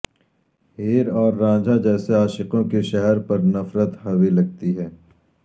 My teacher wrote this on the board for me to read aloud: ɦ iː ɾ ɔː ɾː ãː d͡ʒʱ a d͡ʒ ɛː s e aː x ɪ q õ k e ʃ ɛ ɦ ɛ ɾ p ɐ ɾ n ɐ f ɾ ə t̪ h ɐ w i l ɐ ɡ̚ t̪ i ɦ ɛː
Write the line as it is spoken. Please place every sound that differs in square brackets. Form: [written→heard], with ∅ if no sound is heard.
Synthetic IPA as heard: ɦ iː ɾ ɔː ɾː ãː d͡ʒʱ a d͡ʒ ɛː s e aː [x→ʃ] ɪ q õ k e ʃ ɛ ɦ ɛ ɾ p ɐ ɾ n ɐ f ɾ ə t̪ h ɐ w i l ɐ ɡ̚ t̪ i ɦ ɛː